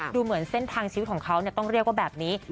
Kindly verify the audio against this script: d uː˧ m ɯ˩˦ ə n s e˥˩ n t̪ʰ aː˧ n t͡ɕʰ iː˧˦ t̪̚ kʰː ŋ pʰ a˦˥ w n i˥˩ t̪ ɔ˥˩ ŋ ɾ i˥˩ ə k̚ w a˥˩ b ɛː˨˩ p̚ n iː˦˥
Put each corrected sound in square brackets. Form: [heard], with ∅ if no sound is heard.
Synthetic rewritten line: d uː˧ m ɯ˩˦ ə n s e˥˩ n t̪ʰ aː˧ [ŋ] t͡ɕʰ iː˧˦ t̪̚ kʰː ŋ [kʰ] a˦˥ w n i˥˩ t̪ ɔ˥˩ ŋ ɾ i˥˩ ə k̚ w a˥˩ b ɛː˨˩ p̚ n iː˦˥

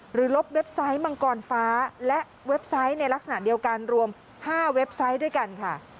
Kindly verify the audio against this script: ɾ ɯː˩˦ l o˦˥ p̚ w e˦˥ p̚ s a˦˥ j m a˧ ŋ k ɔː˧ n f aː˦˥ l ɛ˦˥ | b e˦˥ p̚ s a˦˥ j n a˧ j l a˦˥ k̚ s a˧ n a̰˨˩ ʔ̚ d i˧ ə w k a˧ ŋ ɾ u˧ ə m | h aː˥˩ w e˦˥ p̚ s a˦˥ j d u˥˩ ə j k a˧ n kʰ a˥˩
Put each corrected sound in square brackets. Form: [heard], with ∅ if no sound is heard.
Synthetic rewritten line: ɾ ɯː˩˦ l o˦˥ p̚ w e˦˥ p̚ s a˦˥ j m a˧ ŋ k ɔː˧ n f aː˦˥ l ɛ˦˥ | [w] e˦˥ p̚ s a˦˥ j n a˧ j l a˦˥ k̚ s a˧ n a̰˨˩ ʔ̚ d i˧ ə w k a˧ [n] ɾ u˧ ə m | h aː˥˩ w e˦˥ p̚ s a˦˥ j d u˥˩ ə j k a˧ n kʰ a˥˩

